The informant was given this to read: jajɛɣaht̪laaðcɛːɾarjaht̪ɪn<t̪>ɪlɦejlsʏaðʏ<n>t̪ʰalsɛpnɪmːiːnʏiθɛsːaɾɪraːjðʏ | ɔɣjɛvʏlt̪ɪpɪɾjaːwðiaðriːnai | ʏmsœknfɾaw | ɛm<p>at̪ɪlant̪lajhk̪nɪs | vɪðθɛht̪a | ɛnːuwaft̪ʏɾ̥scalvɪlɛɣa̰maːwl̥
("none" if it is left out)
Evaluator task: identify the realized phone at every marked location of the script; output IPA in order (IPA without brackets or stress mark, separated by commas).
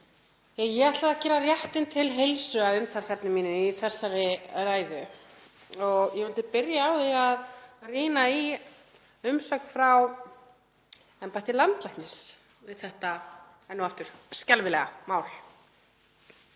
t̪ʰ, m, p